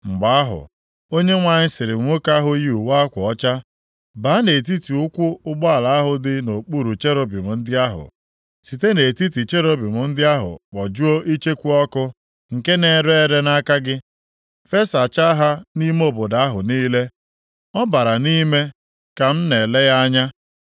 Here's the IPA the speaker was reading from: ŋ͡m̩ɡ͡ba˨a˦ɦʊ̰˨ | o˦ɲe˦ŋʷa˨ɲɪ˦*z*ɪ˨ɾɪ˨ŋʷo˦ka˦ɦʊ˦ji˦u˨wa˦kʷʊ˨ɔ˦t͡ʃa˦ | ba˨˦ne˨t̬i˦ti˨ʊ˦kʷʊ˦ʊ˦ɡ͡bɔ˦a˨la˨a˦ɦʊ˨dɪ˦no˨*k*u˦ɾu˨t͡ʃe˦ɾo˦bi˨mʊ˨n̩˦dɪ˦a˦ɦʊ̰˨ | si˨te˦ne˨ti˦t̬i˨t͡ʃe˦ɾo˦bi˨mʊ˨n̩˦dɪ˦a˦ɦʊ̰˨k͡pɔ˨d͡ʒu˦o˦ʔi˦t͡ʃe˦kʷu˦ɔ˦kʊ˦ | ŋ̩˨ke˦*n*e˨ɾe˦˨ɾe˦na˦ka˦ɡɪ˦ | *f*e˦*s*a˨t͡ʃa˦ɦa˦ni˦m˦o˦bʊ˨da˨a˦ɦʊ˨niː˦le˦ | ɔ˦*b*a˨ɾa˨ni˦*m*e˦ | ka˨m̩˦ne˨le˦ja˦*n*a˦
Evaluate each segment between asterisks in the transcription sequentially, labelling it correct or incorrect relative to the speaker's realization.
incorrect: s, incorrect: k͡p, correct, correct, correct, correct, correct, incorrect: ɲ

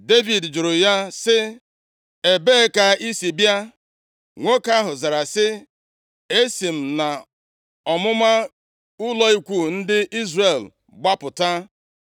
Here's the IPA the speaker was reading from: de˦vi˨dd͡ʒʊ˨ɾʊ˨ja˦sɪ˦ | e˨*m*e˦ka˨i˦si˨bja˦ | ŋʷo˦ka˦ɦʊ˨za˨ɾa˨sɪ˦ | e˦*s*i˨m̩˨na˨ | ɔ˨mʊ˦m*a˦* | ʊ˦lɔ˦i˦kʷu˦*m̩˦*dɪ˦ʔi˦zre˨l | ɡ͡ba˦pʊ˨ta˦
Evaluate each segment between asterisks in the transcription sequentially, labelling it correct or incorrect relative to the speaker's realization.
incorrect: b, correct, correct, incorrect: n̩˦

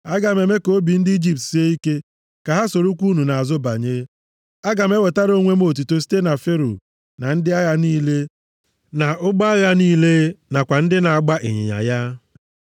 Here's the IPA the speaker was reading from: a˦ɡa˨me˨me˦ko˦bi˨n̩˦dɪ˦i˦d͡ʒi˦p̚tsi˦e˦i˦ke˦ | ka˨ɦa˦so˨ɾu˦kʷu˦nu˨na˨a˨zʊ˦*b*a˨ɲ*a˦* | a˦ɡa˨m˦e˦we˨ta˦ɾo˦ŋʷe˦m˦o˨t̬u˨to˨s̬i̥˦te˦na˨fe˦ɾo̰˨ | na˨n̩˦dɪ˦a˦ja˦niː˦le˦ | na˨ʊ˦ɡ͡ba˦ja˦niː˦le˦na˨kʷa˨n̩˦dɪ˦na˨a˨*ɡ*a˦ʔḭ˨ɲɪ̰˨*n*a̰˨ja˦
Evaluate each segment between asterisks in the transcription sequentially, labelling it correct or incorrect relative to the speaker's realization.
correct, incorrect: e˦, incorrect: ɡ͡b, incorrect: ɲ

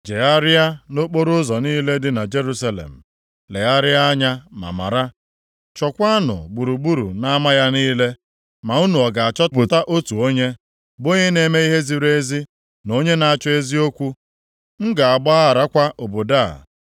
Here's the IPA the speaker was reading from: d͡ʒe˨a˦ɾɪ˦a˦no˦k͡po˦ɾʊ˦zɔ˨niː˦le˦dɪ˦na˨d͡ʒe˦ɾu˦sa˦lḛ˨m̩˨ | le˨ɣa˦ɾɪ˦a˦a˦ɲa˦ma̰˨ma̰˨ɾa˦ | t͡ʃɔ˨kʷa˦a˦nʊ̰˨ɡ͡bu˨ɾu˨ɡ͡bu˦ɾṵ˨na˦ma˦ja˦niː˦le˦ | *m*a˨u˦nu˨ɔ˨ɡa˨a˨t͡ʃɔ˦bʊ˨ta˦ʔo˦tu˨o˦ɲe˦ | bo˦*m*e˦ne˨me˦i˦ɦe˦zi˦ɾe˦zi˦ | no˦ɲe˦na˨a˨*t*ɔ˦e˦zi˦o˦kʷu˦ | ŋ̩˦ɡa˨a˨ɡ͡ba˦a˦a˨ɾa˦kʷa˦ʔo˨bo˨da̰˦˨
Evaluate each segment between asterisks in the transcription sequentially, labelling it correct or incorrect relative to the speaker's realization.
correct, incorrect: ɲ, incorrect: t͡ʃ

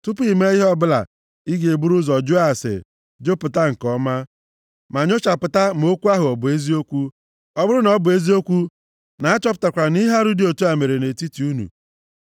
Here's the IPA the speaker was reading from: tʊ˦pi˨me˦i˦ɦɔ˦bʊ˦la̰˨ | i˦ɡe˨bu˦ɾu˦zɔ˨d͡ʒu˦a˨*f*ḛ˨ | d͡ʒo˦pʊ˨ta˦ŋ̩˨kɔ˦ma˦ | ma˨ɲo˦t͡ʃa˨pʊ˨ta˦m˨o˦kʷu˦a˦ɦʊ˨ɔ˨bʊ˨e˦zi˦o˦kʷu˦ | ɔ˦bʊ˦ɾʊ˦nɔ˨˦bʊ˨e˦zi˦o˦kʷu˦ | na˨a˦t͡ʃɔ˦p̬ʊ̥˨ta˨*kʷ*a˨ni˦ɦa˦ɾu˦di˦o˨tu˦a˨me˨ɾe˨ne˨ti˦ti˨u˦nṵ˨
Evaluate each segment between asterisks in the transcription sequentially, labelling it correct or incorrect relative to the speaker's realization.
incorrect: s, correct

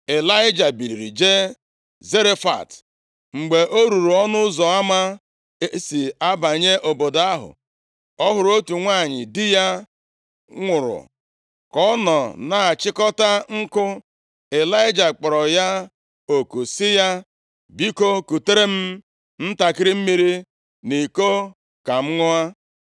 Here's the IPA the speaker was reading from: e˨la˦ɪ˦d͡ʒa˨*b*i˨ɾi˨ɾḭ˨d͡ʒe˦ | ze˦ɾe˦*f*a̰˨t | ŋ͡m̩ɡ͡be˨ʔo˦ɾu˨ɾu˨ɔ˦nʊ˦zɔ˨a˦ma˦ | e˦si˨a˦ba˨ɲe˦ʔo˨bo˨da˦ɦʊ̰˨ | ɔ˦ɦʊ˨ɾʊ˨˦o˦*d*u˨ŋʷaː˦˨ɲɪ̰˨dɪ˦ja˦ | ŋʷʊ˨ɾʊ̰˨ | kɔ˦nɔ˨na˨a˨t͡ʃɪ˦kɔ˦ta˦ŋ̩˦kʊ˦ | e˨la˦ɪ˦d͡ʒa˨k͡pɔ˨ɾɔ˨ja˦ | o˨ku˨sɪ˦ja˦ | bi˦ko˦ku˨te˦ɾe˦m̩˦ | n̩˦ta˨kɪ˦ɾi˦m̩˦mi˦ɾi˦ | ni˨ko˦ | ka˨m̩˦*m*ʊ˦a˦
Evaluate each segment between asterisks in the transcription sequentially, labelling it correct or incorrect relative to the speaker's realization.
correct, correct, incorrect: t, incorrect: ŋ

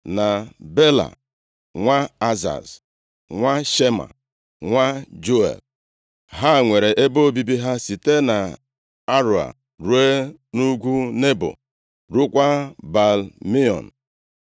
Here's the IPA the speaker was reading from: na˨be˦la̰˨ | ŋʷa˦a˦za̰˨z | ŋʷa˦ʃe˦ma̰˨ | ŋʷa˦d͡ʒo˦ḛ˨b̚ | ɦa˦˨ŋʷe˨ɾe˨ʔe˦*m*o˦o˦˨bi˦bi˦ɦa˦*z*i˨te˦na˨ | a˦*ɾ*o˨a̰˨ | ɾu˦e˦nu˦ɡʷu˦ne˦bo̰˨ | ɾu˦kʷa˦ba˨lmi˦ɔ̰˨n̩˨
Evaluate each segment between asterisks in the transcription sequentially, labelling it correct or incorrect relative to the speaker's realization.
incorrect: b, incorrect: s, correct

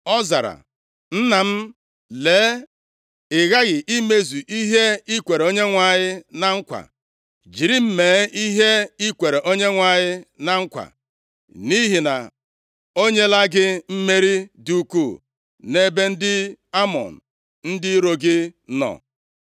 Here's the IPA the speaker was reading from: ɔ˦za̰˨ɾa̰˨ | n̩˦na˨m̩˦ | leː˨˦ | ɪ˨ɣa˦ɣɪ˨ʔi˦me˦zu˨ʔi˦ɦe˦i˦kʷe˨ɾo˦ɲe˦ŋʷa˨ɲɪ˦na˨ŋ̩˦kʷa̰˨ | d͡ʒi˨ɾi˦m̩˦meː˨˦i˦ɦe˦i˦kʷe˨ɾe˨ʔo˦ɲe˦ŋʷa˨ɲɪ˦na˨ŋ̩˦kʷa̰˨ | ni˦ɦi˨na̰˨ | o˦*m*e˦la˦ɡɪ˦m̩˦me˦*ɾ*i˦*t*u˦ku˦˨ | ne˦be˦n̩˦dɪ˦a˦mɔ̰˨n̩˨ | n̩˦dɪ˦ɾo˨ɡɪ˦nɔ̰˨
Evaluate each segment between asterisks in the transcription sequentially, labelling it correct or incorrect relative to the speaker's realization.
incorrect: ɲ, correct, incorrect: d

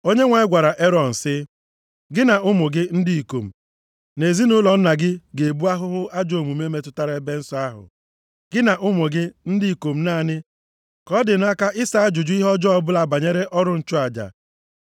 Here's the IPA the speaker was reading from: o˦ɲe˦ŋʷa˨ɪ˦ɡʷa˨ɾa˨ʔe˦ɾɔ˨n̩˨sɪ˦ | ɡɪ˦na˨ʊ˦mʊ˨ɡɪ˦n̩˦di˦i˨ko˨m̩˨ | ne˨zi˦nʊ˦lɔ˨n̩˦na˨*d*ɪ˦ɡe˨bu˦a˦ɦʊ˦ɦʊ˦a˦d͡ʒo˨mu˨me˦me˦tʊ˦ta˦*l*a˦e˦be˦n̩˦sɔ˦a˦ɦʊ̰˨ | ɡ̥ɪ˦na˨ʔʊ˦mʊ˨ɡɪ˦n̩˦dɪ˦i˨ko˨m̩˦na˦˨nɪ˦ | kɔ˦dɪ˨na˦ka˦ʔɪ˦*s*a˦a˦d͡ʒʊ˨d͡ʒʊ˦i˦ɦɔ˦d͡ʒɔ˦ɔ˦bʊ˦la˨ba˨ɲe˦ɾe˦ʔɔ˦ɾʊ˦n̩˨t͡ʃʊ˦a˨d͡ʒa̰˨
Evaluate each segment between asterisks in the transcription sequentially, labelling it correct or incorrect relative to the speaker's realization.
incorrect: ɡ, incorrect: ɾ, correct

